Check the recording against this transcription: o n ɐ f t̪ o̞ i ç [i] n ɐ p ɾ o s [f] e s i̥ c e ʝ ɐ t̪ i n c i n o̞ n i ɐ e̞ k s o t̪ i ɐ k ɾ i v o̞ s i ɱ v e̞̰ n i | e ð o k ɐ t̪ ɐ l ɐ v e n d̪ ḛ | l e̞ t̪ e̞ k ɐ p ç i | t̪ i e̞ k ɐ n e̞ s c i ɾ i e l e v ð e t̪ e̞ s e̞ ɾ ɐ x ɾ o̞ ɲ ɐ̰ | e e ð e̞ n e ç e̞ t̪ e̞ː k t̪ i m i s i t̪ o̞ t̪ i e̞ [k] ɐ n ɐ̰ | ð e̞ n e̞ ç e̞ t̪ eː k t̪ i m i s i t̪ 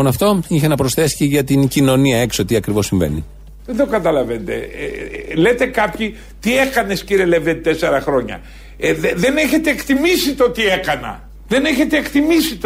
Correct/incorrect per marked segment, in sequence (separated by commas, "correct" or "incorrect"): incorrect, incorrect, correct